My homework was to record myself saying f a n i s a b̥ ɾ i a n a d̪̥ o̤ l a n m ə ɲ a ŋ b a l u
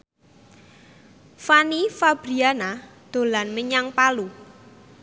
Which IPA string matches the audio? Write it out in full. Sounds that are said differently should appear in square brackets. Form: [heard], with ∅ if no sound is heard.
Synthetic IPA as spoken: f a n i [f] a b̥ ɾ i a n a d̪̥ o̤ l a n m ə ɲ a ŋ [p] a l u